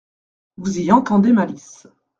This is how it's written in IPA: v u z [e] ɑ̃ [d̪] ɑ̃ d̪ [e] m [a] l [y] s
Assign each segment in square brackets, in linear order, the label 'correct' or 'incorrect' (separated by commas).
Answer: incorrect, incorrect, correct, correct, incorrect